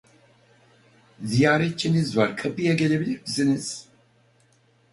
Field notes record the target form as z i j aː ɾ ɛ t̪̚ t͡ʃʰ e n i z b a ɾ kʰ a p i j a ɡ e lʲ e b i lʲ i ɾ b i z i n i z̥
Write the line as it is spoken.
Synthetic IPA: z i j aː ɾ ɛ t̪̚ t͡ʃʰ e n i z v a ɾ kʰ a p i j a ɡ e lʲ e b i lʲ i ɾ b i z i n i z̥